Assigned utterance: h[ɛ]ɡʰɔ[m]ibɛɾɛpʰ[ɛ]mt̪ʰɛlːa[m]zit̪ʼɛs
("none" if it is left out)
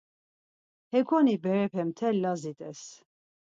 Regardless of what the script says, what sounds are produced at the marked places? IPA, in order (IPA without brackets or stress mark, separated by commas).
ɛ, n, ɛ, none